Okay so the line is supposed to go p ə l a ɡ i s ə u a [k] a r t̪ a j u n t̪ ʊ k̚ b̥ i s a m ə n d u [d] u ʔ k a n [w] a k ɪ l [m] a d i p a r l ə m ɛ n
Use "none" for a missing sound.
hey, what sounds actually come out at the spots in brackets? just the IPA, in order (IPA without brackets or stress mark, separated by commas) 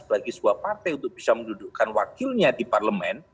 p, d, w, ɲ